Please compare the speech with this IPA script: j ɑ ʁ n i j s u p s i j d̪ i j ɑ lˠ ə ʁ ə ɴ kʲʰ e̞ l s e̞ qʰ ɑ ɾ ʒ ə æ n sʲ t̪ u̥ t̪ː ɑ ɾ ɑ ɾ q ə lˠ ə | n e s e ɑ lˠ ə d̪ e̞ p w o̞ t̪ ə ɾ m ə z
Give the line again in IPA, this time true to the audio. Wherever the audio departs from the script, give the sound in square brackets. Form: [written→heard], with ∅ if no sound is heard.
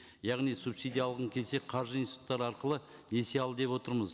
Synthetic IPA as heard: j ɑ ʁ n i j s u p s i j d̪ i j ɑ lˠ ə ʁ ə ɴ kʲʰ e̞ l s e̞ qʰ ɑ ɾ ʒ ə [æ→i] n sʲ t̪ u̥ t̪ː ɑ ɾ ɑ ɾ q ə lˠ ə | n e s e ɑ lˠ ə d̪ e̞ p w o̞ t̪ ə ɾ m ə z